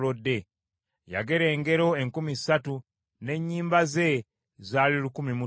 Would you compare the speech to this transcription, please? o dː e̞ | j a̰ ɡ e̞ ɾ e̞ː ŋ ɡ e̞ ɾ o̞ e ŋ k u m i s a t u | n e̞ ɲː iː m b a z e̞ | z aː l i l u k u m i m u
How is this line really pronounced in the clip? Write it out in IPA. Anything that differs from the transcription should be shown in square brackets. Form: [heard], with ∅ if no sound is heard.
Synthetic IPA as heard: o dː e̞ | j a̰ ɡ e̞ ɾ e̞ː ŋ ɡ e̞ ɾ o̞ e ŋ k u m i s a t u | n e̞ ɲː iː m b a z e̞ | z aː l i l u k u m i m u